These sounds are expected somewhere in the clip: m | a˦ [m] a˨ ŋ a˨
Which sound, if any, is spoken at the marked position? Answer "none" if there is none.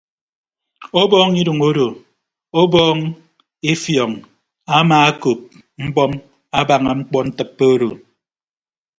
b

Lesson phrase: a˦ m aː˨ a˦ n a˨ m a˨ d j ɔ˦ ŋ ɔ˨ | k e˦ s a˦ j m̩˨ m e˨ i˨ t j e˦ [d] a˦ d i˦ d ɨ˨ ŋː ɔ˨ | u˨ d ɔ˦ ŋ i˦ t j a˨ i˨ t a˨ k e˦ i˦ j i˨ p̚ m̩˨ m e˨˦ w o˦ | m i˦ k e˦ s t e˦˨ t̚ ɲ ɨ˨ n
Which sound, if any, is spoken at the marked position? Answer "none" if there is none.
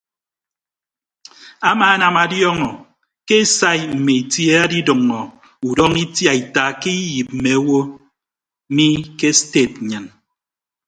none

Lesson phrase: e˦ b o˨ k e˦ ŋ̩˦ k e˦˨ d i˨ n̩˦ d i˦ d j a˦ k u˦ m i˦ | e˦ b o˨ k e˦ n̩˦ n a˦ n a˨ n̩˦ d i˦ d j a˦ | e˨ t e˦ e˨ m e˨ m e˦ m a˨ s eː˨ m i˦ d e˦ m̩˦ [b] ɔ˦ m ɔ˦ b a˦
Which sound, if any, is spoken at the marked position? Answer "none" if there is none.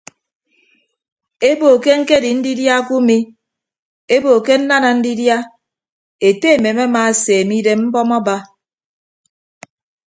b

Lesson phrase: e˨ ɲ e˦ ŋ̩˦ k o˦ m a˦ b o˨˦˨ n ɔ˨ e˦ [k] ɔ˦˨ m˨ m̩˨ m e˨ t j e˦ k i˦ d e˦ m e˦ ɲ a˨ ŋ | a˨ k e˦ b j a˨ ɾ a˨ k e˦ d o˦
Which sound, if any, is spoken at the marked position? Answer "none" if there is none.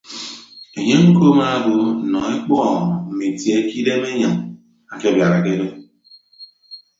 k͡p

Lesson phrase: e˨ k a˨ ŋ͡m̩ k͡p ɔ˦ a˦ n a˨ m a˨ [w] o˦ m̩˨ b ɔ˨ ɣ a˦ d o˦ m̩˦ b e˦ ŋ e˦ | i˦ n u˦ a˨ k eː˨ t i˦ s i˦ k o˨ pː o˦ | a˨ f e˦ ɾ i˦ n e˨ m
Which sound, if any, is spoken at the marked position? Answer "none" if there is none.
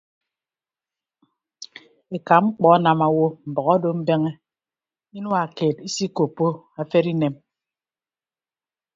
w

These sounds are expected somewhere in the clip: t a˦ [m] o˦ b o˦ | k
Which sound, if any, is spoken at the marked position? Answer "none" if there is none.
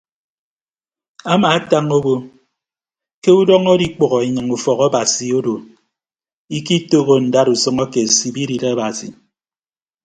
ŋ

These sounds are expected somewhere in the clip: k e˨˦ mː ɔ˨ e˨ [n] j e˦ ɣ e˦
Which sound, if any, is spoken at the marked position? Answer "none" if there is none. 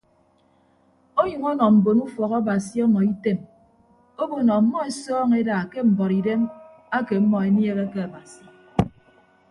n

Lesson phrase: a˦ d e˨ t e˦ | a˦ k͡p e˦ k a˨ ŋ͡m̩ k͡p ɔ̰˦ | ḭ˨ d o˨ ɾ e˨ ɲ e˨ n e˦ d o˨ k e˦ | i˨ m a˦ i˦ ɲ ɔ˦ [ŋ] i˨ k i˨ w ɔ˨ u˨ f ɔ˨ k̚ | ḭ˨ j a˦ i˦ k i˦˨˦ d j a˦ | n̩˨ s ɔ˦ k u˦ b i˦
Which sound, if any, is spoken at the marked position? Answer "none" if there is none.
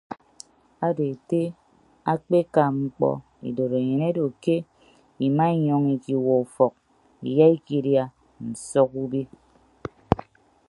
ŋ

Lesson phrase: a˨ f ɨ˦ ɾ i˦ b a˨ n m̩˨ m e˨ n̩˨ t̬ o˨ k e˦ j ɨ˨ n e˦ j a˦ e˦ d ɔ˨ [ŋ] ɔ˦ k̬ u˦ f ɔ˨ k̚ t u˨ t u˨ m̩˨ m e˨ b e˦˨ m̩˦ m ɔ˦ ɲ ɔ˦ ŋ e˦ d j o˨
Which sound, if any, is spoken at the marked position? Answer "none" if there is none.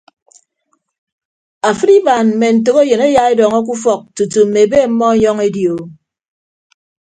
ŋ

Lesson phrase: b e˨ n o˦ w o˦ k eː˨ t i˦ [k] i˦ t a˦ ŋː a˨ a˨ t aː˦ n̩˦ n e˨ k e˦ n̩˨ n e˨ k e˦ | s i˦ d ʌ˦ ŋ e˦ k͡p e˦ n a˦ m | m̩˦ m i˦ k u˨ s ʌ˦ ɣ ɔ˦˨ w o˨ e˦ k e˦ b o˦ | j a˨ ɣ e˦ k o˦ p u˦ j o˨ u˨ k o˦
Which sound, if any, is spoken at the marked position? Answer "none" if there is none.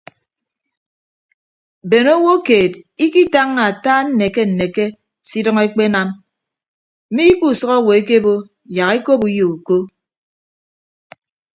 k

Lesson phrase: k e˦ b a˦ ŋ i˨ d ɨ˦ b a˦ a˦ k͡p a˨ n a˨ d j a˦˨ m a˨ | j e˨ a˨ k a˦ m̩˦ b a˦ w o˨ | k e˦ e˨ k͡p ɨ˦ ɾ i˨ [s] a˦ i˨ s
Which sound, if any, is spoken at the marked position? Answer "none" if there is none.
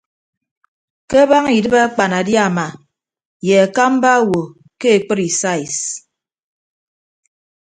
s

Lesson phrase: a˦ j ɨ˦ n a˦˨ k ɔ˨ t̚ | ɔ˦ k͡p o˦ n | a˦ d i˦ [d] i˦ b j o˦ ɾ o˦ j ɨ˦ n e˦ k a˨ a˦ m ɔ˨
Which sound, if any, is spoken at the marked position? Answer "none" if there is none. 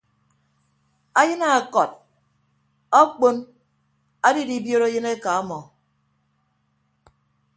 d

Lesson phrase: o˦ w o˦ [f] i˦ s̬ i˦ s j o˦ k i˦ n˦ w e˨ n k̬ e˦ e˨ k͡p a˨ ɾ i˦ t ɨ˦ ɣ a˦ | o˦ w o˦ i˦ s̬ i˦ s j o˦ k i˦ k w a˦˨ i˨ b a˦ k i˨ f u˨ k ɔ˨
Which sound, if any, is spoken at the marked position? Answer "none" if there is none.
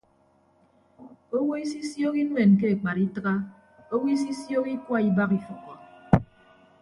none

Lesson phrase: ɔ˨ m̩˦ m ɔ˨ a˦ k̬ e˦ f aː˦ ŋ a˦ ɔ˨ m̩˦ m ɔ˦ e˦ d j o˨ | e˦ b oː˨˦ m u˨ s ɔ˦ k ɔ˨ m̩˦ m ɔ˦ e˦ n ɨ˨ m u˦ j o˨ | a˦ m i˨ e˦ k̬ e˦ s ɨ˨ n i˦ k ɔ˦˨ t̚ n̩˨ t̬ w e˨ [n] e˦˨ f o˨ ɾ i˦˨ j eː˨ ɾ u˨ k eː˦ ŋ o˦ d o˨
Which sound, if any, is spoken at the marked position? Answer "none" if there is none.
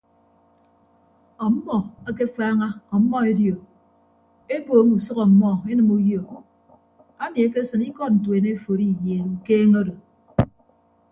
n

